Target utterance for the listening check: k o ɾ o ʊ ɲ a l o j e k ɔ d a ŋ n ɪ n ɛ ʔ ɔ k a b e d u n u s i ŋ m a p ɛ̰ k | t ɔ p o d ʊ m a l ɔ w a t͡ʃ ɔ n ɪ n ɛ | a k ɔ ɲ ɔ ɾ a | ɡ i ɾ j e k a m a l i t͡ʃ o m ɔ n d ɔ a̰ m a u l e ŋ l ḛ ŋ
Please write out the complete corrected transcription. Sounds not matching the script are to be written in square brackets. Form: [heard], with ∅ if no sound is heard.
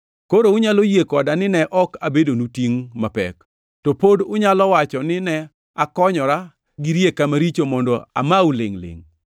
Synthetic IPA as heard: k o ɾ o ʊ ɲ a l o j e k ɔ d a [∅] n ɪ n ɛ ʔ ɔ k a b e d [o] n u [t] i ŋ m a p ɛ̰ k | t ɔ p o d ʊ [ɲ] a l ɔ w a t͡ʃ ɔ n ɪ n ɛ | a k ɔ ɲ ɔ ɾ a | ɡ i ɾ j e k a m a [ɾ] i t͡ʃ o m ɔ n d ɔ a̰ m a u l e ŋ l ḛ ŋ